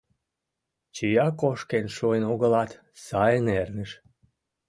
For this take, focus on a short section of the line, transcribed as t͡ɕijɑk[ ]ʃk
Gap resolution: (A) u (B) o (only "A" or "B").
B